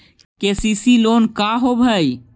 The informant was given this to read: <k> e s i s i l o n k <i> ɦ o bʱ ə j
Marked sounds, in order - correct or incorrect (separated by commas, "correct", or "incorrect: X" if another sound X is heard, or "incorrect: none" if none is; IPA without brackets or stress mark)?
correct, incorrect: a